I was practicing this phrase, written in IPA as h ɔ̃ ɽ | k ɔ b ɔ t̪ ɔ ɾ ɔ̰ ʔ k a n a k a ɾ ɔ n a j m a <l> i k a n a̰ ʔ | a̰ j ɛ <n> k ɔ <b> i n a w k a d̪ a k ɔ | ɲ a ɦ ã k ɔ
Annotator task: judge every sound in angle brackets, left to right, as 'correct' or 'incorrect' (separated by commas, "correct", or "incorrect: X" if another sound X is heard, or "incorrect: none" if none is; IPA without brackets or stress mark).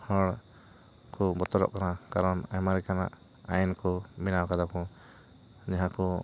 incorrect: ɾ, correct, incorrect: m